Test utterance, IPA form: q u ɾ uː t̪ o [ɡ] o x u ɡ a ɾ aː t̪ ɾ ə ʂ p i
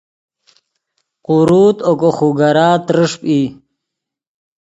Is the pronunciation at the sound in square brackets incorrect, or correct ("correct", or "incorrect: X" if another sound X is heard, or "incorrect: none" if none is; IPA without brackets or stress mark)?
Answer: incorrect: k